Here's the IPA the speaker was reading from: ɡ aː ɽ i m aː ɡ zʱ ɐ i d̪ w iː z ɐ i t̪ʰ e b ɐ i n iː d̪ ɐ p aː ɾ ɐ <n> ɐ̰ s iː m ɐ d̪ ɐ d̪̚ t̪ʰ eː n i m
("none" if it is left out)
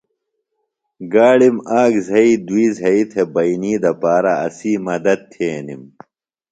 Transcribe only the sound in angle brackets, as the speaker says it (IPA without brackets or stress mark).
none